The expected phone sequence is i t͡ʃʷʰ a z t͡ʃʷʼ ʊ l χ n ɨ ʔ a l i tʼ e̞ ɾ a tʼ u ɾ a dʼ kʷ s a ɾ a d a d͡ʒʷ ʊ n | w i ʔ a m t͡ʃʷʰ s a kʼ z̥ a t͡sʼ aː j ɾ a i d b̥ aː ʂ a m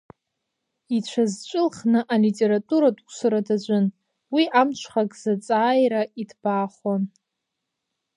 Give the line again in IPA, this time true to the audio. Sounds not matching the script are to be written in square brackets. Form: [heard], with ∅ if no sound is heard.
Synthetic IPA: i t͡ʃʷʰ a z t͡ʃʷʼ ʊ l χ n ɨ ʔ a l i tʼ e̞ ɾ a tʼ u ɾ a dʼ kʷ s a ɾ a d a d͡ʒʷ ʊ n | w i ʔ a m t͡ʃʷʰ [χ] a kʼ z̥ a t͡sʼ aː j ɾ a i d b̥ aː [χ] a [n]